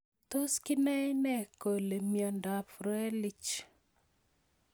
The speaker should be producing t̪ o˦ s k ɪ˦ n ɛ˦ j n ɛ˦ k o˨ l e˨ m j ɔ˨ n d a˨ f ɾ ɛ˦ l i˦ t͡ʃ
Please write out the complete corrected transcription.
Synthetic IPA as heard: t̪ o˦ s k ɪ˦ n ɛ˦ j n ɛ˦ k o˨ l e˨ m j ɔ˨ n d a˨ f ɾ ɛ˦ l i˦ t͡ʃ